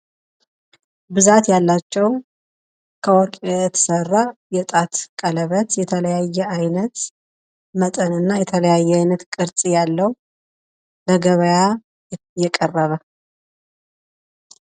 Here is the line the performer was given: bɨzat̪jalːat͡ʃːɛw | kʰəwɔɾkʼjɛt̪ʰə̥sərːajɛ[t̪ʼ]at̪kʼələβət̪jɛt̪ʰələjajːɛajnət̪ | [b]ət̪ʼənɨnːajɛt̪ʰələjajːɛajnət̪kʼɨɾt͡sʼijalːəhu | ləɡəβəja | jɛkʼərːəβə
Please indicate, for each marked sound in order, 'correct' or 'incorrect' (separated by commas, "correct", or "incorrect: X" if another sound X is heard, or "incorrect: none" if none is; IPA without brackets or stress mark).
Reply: correct, incorrect: m